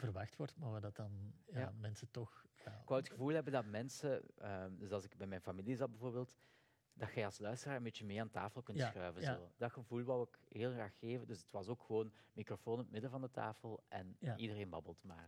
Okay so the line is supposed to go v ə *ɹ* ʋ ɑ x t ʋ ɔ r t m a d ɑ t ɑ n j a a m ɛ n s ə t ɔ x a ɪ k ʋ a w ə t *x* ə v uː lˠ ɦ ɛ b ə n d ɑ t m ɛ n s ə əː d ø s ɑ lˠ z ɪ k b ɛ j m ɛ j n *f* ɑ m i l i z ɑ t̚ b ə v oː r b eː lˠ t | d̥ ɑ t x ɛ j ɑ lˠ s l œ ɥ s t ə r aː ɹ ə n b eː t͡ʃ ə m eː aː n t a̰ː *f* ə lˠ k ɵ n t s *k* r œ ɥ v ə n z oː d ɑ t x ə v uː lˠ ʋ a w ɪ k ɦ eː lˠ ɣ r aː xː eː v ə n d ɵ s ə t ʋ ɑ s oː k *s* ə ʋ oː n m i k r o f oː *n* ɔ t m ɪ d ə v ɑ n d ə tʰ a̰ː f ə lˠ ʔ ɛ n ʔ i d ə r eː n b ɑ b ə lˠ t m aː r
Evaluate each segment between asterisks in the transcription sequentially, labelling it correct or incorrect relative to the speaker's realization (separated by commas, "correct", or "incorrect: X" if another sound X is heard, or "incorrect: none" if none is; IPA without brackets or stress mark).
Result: incorrect: r, correct, correct, correct, incorrect: x, incorrect: x, correct